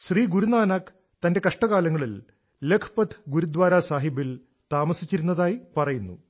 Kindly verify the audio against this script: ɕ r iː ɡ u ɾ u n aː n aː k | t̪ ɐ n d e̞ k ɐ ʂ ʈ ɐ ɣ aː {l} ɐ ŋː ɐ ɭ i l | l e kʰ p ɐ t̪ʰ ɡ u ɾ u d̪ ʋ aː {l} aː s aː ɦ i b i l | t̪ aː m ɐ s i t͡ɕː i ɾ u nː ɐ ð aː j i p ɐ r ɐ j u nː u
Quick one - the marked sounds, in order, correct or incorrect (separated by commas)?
correct, incorrect